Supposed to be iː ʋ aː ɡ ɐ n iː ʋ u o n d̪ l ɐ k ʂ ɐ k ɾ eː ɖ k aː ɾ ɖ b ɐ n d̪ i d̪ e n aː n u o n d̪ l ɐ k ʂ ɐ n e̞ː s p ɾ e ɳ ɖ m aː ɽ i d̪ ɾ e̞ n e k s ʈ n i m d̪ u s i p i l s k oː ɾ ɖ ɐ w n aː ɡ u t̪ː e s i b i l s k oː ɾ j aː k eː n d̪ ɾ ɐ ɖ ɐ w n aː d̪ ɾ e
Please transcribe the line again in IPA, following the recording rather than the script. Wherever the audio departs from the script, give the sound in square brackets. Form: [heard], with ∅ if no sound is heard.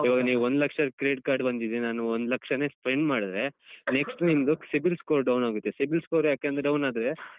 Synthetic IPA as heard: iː ʋ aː ɡ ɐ n iː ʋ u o n d̪ l ɐ k ʂ ɐ k ɾ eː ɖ k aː ɾ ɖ b ɐ n d̪ i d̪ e n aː n u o n d̪ l ɐ k ʂ ɐ n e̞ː s p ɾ e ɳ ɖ m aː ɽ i d̪ ɾ e̞ n e k s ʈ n i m d̪ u s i [b] i l s k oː ɾ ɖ ɐ w n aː ɡ u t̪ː e s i b i l s k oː ɾ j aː k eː n d̪ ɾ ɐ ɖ ɐ w n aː d̪ ɾ e

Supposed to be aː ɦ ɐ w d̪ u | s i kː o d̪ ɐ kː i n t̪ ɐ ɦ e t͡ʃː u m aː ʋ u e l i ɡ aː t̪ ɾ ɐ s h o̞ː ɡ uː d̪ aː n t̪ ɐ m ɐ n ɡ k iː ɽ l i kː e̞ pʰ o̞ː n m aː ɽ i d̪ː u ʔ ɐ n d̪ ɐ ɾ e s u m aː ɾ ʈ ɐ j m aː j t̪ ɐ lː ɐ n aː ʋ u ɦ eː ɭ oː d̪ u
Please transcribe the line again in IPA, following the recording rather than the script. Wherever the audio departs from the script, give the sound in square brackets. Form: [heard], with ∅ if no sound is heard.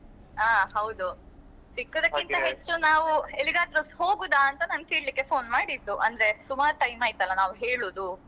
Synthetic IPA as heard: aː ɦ ɐ w d̪ u | s i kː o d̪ ɐ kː i n t̪ ɐ ɦ e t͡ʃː u [n] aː ʋ u e l i ɡ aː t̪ ɾ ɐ s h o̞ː ɡ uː d̪ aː n t̪ ɐ [n] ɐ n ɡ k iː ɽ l i kː e̞ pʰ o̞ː n m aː ɽ i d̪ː u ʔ ɐ n d̪ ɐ ɾ e s u m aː ɾ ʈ ɐ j m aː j t̪ ɐ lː ɐ n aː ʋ u ɦ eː ɭ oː d̪ u

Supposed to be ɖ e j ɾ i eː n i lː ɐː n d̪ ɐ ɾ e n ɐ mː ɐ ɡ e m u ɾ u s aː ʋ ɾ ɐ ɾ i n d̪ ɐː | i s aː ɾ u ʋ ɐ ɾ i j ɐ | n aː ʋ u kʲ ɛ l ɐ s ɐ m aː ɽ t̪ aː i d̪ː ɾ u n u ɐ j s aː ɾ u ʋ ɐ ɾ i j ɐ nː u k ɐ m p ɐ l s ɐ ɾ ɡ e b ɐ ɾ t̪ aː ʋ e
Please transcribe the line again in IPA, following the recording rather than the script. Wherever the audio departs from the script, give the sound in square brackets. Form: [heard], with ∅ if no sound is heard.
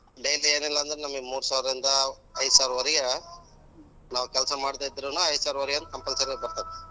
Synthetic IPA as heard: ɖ e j [l] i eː n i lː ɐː n d̪ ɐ ɾ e n ɐ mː ɐ ɡ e m [uː] ɾ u s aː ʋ ɾ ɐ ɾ i n d̪ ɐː | [j] s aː ɾ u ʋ ɐ ɾ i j ɐ | n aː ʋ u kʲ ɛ l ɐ s ɐ m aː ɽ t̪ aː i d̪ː ɾ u n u ɐ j s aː ɾ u ʋ ɐ ɾ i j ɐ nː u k ɐ m p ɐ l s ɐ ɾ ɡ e b ɐ ɾ t̪ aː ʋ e

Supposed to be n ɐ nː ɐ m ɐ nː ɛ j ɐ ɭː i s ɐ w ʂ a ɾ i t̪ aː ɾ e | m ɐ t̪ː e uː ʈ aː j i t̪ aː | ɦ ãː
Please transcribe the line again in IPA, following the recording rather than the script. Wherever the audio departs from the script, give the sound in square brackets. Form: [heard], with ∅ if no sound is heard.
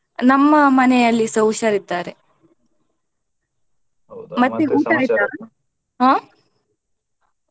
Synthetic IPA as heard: n ɐ [mː] ɐ m ɐ [n] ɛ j ɐ [lː] i s ɐ w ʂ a ɾ i t̪ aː ɾ e | m ɐ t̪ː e uː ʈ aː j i t̪ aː | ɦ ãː

